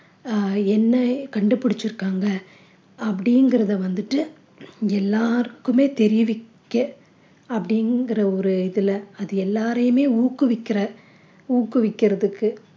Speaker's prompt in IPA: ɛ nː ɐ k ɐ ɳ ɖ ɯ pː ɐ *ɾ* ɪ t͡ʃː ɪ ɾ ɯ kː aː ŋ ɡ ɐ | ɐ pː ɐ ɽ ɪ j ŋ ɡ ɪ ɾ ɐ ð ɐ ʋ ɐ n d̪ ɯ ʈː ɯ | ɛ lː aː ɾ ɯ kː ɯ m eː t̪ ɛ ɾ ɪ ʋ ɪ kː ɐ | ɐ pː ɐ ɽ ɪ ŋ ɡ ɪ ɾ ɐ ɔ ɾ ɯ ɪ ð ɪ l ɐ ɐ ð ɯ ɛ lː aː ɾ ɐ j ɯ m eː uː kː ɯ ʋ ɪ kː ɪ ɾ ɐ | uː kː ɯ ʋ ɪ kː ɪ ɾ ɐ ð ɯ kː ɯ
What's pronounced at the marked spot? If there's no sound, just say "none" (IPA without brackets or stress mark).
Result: ɽ